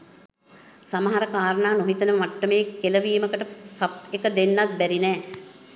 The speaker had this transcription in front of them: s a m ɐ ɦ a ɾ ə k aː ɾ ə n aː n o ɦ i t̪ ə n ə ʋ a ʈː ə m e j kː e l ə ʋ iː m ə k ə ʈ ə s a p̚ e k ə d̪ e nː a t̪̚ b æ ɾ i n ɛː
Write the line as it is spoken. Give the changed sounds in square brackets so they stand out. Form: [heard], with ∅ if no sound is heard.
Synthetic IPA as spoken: s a m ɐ ɦ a ɾ ə k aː ɾ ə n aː n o ɦ i t̪ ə n ə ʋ a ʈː ə m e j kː e l ə ʋ iː m ə k ə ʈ ə s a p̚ e k ə d̪ e nː a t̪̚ b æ ɾ i n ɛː

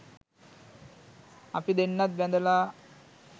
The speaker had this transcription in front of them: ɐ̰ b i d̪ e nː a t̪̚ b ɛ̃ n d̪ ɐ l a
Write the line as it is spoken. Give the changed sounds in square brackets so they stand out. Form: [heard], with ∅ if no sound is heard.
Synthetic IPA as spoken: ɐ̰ [p] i d̪ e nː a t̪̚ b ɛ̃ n d̪ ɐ l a

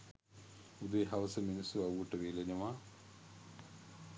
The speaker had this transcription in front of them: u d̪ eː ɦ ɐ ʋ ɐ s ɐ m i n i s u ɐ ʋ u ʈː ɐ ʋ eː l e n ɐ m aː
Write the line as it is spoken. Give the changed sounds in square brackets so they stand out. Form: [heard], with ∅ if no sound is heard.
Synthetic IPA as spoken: u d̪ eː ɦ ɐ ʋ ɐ s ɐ m i n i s u ɐ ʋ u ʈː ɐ ʋ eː l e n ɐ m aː

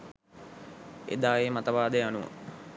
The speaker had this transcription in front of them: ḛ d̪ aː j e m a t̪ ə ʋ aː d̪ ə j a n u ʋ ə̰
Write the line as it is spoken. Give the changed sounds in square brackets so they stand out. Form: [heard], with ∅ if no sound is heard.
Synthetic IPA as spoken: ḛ d̪ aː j e m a t̪ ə ʋ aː d̪ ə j a n u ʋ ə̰

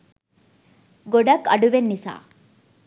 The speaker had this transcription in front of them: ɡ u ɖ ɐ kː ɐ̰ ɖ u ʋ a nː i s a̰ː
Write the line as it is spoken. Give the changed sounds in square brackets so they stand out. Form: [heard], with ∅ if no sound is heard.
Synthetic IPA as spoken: ɡ [o] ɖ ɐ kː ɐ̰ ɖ u ʋ [e] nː i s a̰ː

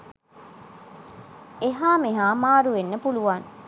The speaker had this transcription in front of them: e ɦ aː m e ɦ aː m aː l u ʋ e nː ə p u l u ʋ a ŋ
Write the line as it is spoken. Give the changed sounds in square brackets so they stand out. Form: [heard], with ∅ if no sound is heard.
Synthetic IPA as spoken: e ɦ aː m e ɦ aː m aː [ɾ] u ʋ e nː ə p u l u ʋ a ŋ

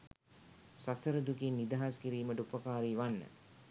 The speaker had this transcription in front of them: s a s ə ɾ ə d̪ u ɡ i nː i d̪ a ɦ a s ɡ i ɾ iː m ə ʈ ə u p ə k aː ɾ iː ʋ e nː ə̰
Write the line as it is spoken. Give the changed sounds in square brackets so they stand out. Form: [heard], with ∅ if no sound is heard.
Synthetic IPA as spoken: s a s ə ɾ ə d̪ u [k] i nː i d̪ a ɦ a s [k] i ɾ iː m ə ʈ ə u p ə k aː ɾ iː ʋ [a] nː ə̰

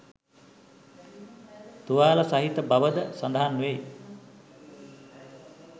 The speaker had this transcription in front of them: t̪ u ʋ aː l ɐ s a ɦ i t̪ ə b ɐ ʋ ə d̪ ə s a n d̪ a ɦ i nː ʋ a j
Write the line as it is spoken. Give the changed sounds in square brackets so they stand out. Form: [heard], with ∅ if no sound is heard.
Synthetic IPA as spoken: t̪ u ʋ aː l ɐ s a ɦ i t̪ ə b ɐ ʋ ə d̪ ə s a n d̪ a ɦ [a] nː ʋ [e] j

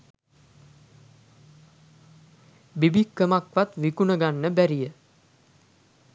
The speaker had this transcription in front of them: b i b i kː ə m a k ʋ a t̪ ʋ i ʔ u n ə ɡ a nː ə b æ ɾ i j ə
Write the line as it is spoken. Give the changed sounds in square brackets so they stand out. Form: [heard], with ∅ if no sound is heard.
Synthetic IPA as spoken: b i b i kː ə m a k ʋ a t̪ ʋ i [k] u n ə ɡ a nː ə b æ ɾ i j ə

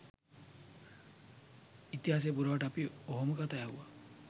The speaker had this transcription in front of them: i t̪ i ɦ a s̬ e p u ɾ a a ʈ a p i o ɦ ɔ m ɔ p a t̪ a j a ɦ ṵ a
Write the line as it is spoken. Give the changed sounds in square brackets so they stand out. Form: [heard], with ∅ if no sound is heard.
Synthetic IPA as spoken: i t̪ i ɦ a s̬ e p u ɾ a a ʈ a p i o ɦ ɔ m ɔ [k] a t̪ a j a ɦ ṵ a

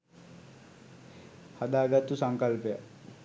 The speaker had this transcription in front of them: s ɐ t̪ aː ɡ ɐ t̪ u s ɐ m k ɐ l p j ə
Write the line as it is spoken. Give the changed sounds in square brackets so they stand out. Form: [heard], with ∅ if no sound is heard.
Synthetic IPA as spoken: [h] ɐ [d̪] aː ɡ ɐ t̪ u s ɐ [ŋ] k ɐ l p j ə

